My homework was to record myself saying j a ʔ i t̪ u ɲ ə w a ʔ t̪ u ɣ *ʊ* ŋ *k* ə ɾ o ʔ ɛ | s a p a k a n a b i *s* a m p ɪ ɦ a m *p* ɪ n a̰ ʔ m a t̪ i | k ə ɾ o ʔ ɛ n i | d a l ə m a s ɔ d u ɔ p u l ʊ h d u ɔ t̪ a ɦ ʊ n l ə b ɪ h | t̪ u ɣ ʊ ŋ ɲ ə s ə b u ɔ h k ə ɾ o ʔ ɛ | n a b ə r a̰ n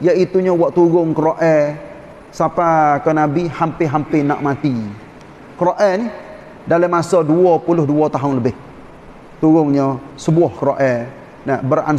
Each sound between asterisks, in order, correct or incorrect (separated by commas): correct, correct, incorrect, correct